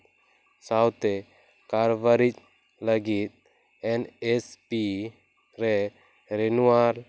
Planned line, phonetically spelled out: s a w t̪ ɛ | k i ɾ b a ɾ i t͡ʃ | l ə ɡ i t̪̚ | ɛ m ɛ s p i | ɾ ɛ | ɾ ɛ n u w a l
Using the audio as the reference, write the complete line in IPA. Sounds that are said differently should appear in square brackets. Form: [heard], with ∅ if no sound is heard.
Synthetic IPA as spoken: s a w t̪ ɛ | k [a] ɾ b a ɾ i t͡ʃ | l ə ɡ i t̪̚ | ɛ [n] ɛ s p i | ɾ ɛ | ɾ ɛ n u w a [ɾ]